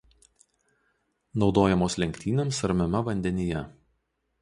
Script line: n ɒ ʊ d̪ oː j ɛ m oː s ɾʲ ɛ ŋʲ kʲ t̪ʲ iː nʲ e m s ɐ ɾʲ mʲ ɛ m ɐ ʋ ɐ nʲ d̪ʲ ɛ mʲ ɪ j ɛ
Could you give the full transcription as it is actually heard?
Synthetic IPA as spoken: n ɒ ʊ d̪ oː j ɛ m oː s lʲ ɛ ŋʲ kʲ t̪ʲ iː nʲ e m s ɐ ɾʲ mʲ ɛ m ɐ ʋ ɐ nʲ d̪ʲ ɛ nʲ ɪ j ɛ